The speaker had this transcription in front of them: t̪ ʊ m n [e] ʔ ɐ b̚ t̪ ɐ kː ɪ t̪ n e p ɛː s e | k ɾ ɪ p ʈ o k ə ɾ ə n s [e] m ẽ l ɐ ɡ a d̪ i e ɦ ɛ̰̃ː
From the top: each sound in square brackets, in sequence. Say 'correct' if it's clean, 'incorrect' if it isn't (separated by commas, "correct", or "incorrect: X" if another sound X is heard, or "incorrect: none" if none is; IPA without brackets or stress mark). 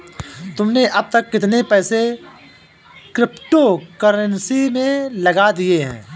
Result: correct, incorrect: i